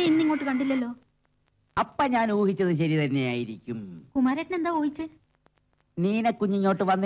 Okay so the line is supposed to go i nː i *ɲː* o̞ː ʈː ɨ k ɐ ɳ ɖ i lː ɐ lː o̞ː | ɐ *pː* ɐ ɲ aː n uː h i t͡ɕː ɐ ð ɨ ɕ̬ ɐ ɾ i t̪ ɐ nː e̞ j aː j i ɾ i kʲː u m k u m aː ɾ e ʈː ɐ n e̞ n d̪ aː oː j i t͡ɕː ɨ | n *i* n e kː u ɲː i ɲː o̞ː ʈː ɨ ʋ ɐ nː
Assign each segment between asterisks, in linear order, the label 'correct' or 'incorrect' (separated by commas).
incorrect, correct, incorrect